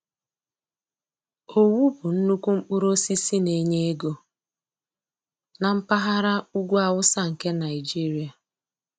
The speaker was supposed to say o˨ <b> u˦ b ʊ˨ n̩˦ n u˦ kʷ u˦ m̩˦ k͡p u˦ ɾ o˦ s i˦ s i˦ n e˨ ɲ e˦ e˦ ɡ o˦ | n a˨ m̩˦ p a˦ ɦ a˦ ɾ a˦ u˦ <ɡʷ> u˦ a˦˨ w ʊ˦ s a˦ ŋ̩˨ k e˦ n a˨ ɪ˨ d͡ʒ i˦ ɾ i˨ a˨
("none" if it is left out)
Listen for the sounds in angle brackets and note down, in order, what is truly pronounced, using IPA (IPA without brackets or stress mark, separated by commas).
w, ɡʷ